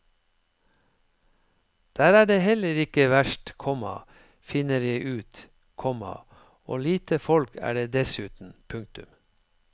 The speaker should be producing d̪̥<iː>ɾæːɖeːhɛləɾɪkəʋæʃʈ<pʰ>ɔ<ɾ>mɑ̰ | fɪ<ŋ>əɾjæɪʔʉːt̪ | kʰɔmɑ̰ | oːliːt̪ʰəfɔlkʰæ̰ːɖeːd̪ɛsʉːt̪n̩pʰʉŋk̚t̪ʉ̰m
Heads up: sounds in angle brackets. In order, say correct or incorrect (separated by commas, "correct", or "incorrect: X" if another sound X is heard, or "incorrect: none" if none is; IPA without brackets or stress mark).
incorrect: æː, incorrect: kʰ, incorrect: none, incorrect: n